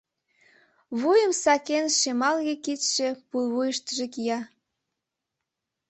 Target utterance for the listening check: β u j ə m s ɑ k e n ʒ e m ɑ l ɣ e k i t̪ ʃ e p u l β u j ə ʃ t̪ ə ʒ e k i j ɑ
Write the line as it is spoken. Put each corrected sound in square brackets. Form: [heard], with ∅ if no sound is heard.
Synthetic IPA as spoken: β u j ə m s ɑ k e n [ʃ] e m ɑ l ɣ e k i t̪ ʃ e p u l β u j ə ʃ t̪ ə ʒ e k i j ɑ